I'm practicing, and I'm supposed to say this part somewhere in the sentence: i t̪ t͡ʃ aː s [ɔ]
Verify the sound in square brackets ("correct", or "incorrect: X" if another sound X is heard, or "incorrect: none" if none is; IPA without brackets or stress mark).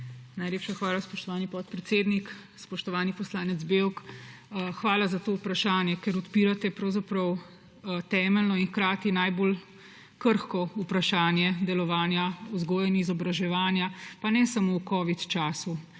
incorrect: u